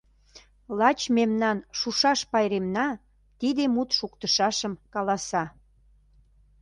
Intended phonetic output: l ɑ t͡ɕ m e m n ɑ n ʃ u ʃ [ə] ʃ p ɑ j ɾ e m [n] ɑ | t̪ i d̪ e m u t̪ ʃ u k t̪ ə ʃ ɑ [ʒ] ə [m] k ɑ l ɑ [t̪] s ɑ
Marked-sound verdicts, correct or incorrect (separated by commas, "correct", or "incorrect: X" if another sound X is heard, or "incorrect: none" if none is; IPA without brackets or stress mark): incorrect: ɑ, correct, incorrect: ʃ, correct, incorrect: none